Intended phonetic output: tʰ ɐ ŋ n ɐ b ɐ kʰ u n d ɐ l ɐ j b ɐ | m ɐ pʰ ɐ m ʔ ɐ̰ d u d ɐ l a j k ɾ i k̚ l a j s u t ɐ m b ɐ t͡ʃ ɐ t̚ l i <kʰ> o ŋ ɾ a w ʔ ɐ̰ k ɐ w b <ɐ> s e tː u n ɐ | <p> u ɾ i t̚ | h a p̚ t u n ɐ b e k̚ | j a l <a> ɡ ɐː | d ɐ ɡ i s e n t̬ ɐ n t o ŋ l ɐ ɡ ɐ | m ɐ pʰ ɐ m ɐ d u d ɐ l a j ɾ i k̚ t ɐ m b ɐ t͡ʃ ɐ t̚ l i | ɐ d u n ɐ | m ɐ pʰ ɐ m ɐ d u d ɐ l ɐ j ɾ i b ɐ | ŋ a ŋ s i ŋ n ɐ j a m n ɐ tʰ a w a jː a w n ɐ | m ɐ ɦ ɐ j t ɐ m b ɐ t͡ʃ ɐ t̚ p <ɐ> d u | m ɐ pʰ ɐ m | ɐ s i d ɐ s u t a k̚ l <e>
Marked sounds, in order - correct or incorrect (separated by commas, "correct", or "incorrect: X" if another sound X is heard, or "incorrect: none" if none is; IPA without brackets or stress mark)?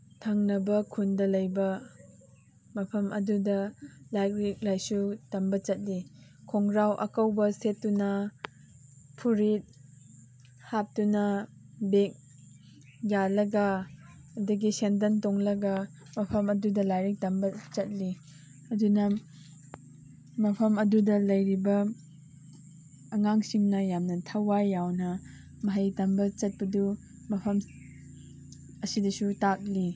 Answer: correct, correct, incorrect: pʰ, incorrect: ɐ, correct, incorrect: i